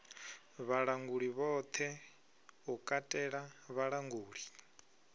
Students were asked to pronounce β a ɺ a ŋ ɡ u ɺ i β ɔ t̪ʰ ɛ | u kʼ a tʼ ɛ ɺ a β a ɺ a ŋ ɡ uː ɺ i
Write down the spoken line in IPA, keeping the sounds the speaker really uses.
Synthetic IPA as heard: β a ɺ a ŋ ɡ u ɺ i β ɔ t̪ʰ ɛ | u kʼ a tʼ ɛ ɺ a β a ɺ a ŋ ɡ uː ɺ i